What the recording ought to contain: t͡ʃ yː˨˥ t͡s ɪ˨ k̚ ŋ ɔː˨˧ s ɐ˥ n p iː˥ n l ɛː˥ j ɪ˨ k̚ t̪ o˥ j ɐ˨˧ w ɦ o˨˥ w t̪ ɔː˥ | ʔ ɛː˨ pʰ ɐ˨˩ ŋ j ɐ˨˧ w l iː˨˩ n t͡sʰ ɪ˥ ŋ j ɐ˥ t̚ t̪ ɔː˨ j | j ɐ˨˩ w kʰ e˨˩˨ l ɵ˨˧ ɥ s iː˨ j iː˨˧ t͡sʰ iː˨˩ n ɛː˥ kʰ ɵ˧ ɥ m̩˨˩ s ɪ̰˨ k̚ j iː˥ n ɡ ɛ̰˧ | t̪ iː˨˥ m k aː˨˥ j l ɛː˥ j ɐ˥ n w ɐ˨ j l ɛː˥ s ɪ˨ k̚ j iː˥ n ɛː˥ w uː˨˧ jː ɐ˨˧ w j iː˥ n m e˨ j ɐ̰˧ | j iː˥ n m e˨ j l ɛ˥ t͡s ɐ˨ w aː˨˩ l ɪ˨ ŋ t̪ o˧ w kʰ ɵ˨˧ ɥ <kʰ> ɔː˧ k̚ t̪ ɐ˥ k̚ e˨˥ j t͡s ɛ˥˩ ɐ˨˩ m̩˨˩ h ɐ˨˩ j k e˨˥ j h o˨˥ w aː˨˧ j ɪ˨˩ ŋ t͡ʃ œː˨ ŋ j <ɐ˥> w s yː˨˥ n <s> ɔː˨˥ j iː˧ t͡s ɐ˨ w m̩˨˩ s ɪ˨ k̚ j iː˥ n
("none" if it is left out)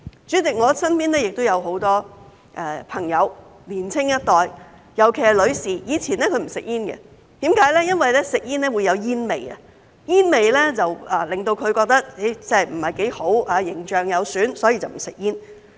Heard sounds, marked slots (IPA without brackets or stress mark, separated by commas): k, ɐ˨˧, s